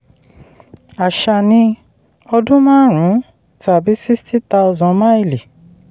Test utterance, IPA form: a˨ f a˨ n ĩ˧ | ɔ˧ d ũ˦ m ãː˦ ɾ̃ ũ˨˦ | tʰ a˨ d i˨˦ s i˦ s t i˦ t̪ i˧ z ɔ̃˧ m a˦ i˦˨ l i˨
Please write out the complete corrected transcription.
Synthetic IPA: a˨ ʃ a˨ n ĩ˧ | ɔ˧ d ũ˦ m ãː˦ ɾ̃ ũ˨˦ | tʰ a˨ b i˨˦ s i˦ s t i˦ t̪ a˧ z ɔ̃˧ m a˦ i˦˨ l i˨